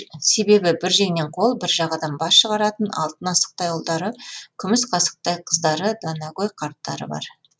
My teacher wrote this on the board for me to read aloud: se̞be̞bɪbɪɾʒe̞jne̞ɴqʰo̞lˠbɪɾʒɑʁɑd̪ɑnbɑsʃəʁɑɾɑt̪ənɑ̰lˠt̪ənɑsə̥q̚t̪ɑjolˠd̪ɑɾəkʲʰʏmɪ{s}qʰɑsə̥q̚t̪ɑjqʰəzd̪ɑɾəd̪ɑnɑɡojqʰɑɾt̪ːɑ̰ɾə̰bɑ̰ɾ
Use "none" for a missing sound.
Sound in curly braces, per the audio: s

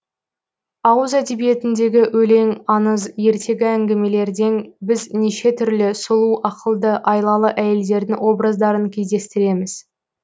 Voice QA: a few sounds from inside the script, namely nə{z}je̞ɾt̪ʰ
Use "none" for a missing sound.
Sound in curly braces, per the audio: z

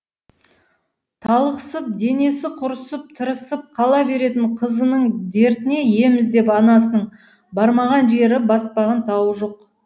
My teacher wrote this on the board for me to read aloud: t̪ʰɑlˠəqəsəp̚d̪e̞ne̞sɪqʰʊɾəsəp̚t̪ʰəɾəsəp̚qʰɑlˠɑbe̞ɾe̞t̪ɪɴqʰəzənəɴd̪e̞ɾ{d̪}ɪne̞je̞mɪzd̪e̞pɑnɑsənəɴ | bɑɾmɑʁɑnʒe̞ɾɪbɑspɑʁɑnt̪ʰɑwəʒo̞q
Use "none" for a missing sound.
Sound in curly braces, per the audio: t̪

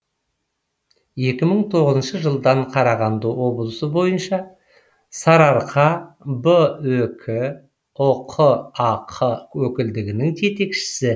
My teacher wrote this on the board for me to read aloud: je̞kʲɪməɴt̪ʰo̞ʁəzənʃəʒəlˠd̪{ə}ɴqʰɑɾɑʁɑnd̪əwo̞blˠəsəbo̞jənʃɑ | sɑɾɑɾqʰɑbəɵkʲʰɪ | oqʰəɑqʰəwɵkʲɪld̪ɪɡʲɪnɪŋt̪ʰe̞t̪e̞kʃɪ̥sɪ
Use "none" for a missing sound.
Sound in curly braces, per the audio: ɑ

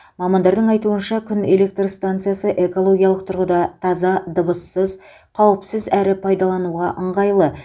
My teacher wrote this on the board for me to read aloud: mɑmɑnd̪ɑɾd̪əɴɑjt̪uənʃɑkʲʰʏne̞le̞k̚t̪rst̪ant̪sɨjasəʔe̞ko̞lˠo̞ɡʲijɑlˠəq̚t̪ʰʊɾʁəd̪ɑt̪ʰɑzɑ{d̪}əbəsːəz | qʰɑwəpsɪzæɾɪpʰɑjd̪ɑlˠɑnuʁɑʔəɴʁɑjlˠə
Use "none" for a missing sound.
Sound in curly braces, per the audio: d̪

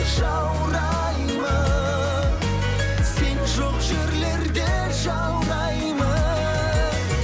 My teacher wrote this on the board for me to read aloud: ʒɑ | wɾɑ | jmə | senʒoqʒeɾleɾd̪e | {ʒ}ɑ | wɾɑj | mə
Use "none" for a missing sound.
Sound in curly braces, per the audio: ʒ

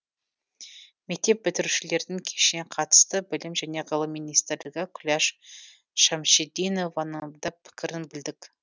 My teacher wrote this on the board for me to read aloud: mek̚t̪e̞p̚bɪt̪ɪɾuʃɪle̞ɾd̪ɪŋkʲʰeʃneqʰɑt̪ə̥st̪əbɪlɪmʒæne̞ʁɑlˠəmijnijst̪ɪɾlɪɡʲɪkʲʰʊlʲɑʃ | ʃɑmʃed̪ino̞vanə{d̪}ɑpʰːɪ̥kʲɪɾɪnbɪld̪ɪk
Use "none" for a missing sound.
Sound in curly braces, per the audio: d̪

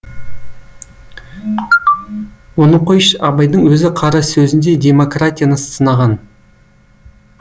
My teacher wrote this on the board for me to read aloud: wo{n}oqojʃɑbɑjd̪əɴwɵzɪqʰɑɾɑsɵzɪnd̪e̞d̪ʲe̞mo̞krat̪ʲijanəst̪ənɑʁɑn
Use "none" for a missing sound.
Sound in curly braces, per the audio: n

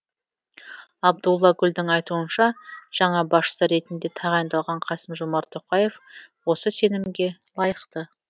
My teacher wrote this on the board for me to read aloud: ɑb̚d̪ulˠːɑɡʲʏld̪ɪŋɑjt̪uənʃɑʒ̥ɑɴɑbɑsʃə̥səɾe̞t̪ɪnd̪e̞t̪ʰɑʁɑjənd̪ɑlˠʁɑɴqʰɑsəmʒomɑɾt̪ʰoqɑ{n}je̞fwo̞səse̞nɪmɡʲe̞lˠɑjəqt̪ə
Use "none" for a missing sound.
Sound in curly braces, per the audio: none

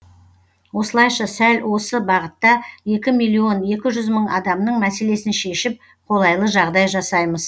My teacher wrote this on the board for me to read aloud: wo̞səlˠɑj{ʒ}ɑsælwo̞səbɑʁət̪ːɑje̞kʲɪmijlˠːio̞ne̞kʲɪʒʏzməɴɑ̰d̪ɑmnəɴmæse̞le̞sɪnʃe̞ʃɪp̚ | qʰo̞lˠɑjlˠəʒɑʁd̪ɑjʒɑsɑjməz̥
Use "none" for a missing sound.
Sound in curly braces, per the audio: ʃ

